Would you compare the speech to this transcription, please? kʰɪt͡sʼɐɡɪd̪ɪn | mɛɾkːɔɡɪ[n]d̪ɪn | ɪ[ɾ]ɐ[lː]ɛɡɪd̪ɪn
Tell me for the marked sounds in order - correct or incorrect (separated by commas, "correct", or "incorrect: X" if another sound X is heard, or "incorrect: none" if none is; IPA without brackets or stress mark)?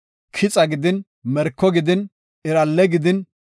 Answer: incorrect: none, correct, correct